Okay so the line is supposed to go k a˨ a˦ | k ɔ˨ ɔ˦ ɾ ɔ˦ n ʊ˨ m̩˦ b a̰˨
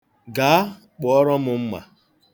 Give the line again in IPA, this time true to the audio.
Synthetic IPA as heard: ɡ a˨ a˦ | k͡p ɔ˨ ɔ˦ ɾ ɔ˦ m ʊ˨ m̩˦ m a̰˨